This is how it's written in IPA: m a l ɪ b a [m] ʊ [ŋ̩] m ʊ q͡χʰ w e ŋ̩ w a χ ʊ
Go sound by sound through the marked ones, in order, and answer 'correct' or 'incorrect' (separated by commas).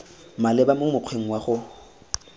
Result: correct, incorrect